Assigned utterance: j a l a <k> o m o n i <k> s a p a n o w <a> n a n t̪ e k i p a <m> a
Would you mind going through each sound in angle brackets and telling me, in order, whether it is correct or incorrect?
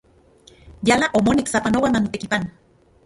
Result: incorrect, correct, correct, incorrect

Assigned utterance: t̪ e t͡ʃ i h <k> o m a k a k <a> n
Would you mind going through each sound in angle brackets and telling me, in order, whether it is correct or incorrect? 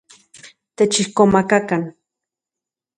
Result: correct, correct

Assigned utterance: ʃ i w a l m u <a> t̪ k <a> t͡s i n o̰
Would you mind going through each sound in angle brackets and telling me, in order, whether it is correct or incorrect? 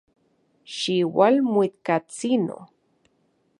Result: incorrect, correct

